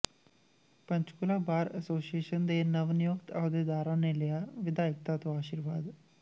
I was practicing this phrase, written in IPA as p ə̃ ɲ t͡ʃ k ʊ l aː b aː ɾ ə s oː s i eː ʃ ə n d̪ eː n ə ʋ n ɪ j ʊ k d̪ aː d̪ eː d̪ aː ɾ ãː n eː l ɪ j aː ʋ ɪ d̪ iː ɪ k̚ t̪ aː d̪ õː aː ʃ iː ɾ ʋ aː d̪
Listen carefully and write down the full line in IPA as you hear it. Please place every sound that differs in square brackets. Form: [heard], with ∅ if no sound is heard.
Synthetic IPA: p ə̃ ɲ t͡ʃ k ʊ l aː b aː ɾ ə s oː s i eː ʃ ə n d̪ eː n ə ʋ n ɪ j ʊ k [t̪] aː d̪ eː d̪ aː ɾ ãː n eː l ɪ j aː ʋ ɪ d̪ [aː] ɪ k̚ t̪ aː [t̪] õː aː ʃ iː ɾ ʋ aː d̪